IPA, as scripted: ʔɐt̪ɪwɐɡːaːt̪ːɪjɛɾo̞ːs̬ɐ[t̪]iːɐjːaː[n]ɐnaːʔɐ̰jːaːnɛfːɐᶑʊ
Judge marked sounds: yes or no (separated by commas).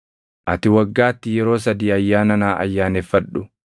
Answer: no, yes